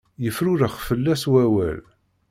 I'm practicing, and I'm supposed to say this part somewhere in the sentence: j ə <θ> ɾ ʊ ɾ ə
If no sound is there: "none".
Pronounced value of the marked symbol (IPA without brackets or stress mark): f